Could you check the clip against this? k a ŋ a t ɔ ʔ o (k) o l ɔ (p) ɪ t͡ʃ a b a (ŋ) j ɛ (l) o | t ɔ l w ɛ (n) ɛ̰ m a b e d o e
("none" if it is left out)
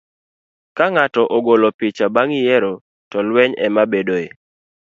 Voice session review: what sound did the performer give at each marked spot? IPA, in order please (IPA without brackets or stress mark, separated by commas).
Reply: ɡ, p, ŋ, ɾ, ɲ